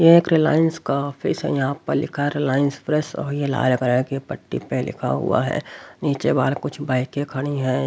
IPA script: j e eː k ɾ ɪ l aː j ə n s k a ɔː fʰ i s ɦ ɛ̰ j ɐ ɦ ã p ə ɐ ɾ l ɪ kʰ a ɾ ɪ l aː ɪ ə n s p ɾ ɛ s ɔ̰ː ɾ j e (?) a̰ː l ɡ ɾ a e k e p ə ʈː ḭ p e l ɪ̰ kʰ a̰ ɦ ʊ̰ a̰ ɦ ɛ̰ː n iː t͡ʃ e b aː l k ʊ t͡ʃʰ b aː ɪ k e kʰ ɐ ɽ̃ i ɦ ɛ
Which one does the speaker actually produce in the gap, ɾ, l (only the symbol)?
l